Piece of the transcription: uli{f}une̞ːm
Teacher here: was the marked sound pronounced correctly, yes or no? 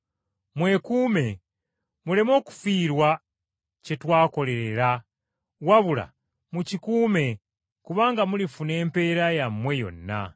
yes